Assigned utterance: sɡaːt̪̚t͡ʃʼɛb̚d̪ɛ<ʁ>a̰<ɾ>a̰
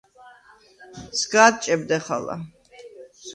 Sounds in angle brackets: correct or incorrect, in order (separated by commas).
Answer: incorrect, incorrect